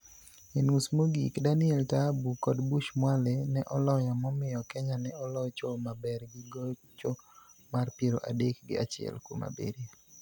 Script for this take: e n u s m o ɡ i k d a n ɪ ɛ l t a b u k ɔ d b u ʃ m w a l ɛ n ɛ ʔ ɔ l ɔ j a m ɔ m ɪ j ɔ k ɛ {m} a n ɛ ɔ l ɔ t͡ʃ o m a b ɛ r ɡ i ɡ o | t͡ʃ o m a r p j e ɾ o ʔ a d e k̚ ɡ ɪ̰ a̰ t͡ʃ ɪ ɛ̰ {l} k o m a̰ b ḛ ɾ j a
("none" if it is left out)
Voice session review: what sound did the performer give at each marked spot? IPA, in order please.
ɲ, l

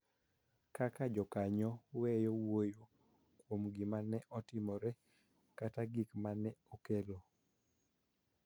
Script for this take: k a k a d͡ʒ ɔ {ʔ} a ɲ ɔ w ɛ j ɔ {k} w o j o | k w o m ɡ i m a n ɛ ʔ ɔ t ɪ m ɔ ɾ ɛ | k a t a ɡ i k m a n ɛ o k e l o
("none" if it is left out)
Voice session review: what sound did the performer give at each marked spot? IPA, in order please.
k, none

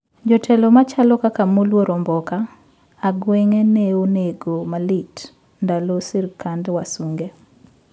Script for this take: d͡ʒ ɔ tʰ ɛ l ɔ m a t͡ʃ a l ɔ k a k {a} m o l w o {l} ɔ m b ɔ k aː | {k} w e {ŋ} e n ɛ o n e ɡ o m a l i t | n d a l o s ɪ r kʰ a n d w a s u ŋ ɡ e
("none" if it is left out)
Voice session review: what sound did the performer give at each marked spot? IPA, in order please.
a, ɾ, ɡ, ŋ

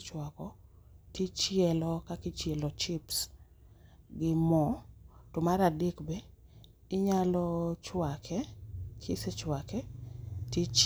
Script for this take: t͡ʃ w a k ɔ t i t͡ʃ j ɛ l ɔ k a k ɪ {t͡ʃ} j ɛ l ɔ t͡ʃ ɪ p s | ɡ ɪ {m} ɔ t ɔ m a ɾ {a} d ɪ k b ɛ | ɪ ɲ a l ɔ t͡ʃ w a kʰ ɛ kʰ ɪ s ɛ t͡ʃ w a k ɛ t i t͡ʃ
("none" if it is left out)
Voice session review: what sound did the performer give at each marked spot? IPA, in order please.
t͡ʃ, m, a

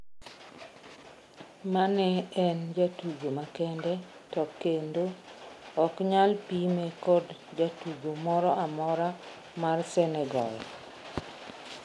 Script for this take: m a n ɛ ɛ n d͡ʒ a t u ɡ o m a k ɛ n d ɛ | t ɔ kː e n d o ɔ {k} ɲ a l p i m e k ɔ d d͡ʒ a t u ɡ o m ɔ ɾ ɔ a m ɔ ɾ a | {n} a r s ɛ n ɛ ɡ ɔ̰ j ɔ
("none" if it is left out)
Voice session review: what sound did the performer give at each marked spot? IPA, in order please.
k, m

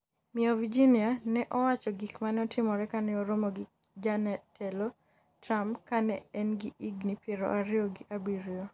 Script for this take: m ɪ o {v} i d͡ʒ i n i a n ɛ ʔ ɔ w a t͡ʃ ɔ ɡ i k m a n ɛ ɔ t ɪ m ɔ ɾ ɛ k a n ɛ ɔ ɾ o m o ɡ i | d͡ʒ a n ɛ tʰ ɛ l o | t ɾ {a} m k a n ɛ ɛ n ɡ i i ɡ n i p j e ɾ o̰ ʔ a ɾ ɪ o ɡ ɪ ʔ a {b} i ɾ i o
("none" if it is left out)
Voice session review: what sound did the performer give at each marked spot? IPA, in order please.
v, a, b

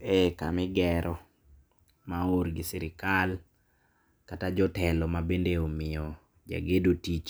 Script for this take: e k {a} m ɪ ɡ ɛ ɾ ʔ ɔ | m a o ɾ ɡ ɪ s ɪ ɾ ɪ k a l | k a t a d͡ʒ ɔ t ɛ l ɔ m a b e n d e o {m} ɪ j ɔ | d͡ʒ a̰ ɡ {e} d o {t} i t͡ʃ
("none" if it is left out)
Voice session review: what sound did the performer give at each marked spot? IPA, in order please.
a, m, e, t

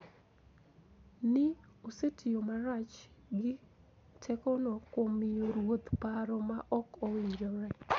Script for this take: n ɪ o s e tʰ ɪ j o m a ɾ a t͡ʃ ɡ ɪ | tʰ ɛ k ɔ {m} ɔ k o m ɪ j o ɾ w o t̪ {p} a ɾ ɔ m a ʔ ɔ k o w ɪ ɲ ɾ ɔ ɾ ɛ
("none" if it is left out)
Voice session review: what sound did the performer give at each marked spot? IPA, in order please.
n, p

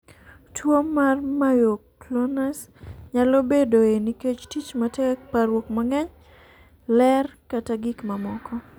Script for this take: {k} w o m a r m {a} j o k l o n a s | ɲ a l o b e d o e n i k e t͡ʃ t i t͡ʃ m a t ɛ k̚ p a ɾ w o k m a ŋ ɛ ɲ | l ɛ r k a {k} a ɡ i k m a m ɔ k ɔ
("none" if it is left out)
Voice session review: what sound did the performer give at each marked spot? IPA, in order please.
t, a, t

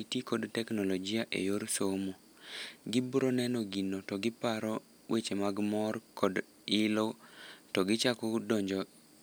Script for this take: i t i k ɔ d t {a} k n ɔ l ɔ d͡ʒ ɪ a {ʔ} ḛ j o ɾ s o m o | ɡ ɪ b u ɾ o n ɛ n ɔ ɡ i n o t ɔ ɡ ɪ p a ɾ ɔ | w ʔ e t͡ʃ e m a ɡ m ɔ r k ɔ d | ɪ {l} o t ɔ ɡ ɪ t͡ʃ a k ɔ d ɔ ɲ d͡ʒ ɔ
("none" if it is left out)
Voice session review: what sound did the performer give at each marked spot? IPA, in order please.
ɛ, ʔ, l

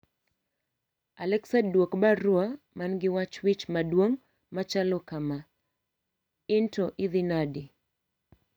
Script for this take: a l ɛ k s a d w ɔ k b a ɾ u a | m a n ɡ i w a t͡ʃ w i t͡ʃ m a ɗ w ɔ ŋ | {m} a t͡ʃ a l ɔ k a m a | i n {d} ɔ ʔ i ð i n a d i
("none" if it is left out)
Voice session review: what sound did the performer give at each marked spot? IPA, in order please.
m, t

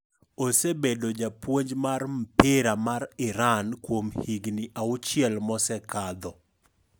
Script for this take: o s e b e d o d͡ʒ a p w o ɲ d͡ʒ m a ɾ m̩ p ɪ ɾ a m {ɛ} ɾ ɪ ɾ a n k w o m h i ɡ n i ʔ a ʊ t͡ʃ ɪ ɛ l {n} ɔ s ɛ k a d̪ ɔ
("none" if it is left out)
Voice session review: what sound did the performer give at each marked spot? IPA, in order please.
a, m

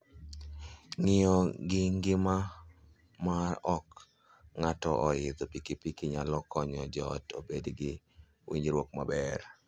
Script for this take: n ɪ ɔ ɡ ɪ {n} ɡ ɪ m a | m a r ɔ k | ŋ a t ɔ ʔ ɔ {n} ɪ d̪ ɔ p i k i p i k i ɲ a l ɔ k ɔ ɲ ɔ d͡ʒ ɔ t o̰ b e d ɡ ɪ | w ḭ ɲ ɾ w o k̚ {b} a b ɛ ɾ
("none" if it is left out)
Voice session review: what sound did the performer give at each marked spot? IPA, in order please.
ŋ, none, m

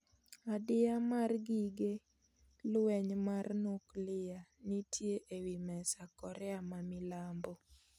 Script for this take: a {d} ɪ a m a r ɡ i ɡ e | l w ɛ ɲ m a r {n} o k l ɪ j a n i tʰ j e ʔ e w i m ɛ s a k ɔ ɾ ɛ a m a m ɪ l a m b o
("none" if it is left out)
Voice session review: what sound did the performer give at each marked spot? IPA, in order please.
d, n

